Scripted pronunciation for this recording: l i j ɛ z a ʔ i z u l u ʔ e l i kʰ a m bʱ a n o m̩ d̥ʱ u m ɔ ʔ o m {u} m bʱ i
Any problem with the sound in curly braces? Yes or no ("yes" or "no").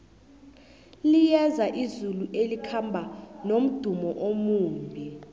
yes